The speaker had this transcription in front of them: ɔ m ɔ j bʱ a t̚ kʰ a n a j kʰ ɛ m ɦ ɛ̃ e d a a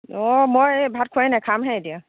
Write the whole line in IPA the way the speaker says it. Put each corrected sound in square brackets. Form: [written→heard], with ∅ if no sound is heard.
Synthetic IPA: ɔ m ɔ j bʱ a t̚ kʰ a n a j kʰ [ɛ→a] m ɦ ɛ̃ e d [a→i] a